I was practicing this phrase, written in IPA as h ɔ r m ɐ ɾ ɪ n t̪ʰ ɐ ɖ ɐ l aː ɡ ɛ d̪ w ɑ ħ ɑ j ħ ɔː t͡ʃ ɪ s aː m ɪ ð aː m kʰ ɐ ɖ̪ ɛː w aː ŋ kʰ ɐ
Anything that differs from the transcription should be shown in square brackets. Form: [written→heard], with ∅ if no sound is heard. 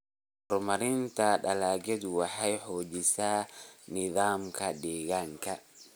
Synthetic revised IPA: h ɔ r m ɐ ɾ ɪ n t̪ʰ ɐ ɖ ɐ l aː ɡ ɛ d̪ w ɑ ħ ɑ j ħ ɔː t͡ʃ ɪ s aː [m→n] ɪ ð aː m kʰ ɐ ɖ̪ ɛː [w→ɣ] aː ŋ kʰ ɐ